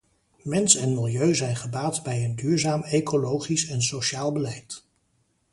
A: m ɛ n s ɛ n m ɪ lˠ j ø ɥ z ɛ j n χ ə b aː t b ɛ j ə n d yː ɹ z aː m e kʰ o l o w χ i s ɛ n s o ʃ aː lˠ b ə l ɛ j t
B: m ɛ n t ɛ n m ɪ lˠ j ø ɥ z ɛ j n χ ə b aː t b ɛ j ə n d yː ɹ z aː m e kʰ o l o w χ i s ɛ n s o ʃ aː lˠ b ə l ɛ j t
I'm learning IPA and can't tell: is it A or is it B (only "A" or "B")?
A